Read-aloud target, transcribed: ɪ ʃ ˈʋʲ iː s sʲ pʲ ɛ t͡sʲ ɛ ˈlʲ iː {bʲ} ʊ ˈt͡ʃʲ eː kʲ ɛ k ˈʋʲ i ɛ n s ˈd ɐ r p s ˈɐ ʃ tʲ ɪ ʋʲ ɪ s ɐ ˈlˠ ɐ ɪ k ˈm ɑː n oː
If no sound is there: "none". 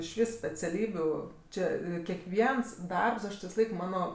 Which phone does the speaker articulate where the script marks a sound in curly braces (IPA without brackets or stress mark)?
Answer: bʲ